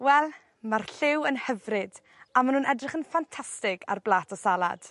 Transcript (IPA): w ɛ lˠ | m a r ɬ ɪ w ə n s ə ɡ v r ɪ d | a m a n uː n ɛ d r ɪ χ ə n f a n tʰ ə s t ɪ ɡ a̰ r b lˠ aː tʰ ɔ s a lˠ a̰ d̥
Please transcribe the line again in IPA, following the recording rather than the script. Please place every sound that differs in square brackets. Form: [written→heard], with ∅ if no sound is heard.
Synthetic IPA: w ɛ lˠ | m a r ɬ ɪ w ə n [s→h] ə [ɡ→∅] v r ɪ d | a m a n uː n ɛ d r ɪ χ ə n f a n tʰ [ə→a] s t ɪ ɡ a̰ r b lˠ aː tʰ ɔ s a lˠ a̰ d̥